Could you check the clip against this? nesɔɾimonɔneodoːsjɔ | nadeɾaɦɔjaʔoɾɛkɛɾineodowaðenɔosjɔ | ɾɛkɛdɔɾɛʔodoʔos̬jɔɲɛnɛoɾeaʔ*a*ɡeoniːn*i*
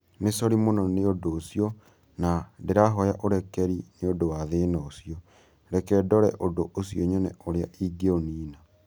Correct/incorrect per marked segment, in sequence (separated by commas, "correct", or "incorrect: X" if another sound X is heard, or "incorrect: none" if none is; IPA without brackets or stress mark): incorrect: i, incorrect: a